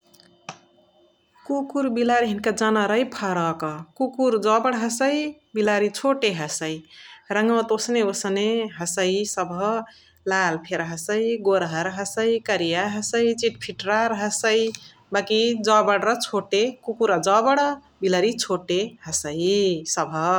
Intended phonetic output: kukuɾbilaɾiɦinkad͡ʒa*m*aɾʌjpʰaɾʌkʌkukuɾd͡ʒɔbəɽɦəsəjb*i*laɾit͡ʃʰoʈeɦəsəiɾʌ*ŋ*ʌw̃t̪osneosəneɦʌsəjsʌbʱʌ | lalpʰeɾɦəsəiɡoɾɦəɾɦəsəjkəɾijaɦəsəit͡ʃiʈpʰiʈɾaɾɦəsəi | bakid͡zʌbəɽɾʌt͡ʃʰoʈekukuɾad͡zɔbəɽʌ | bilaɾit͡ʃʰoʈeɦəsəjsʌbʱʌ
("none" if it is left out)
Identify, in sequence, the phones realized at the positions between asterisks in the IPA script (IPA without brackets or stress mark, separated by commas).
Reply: n, i, ŋ